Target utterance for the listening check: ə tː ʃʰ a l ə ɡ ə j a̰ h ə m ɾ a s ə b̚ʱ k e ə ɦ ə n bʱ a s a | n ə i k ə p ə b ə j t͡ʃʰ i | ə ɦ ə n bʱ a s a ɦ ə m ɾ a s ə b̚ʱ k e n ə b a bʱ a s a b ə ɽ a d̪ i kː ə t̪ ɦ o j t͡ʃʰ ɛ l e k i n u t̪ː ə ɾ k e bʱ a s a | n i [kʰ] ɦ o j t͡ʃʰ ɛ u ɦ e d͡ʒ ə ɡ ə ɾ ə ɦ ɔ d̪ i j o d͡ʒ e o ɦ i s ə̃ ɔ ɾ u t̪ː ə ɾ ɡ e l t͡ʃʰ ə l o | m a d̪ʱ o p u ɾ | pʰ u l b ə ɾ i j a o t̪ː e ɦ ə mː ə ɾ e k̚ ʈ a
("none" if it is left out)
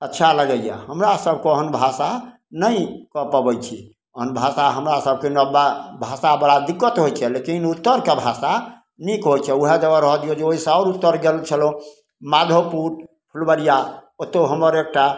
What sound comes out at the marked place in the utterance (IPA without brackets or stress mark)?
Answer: k